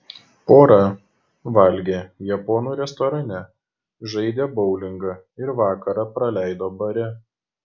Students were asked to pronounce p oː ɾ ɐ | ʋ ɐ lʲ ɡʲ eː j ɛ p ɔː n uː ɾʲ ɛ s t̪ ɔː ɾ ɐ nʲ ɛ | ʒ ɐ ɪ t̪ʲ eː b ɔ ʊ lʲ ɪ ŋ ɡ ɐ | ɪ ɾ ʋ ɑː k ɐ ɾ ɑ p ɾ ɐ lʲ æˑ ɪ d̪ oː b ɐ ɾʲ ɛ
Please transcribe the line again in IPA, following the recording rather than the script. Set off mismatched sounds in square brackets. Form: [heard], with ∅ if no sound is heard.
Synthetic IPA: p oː ɾ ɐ | ʋ ɐ lʲ ɡʲ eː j ɛ p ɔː n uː ɾʲ ɛ s t̪ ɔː ɾ ɐ nʲ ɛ | ʒ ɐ ɪ [d̪ʲ] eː b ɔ ʊ lʲ ɪ ŋ ɡ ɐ | ɪ ɾ ʋ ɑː k ɐ ɾ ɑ p ɾ ɐ lʲ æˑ ɪ d̪ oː b ɐ ɾʲ ɛ